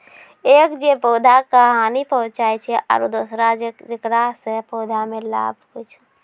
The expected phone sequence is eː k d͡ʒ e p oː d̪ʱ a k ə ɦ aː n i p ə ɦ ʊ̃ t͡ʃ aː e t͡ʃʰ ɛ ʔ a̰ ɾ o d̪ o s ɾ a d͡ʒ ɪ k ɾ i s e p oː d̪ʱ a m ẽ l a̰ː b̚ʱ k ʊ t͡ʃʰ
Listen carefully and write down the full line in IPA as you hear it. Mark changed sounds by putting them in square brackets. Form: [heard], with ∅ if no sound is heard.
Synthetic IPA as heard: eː k d͡ʒ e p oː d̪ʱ a k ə ɦ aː n i p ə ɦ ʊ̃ t͡ʃ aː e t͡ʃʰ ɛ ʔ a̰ ɾ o d̪ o s ɾ a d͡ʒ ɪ k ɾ [a] s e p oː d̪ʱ a m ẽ l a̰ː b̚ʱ k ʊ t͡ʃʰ